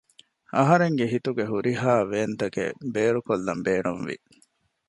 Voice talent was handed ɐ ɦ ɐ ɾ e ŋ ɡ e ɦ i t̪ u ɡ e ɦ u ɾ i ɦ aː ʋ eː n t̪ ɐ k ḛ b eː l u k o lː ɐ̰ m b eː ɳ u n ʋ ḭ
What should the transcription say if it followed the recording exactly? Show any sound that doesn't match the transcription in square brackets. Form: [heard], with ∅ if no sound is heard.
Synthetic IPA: ɐ ɦ ɐ ɾ e ŋ ɡ e ɦ i t̪ u ɡ e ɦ u ɾ i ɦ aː ʋ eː n t̪ ɐ k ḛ b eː [ɾ] u k o lː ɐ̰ m b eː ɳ u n ʋ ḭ